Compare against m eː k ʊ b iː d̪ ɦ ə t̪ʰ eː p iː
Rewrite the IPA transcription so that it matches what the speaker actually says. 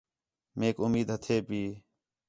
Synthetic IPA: m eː k ʊ m iː d̪ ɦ ə t̪ʰ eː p iː